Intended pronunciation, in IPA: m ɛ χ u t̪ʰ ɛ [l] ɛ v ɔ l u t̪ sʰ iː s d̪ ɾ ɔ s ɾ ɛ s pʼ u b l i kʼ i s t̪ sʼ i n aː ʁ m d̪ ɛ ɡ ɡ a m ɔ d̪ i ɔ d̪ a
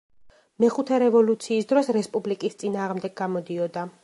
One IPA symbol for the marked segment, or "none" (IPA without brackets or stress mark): ɾ